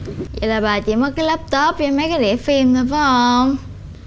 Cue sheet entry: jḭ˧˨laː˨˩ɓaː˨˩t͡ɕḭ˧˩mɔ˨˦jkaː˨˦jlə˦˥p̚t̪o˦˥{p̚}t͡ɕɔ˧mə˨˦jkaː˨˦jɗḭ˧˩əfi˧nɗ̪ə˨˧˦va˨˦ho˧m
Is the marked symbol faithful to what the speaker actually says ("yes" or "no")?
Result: yes